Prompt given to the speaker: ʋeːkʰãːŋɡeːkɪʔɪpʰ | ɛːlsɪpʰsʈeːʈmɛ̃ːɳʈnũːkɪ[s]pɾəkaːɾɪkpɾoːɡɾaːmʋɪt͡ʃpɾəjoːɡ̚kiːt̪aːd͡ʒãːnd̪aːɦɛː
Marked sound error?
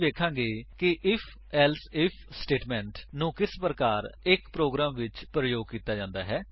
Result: no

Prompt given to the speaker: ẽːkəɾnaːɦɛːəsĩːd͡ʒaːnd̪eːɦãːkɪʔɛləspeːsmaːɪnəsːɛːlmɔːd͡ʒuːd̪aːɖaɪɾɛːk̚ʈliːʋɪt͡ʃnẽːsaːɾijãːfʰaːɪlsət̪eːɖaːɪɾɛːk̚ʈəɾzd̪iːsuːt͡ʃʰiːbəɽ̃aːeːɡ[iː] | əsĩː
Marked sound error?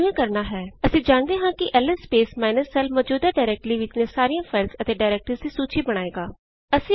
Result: yes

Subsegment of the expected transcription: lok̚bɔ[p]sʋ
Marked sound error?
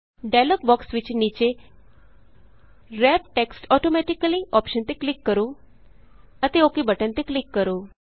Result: yes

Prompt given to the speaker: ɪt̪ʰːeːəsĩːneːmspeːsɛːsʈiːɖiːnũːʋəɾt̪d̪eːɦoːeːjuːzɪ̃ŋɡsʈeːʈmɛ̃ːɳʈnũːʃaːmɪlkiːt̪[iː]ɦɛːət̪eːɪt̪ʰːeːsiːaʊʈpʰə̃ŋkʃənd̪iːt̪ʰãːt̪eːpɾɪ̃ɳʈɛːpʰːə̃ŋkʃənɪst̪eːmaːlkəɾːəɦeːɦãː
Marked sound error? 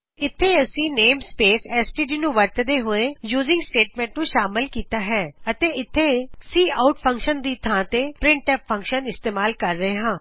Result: yes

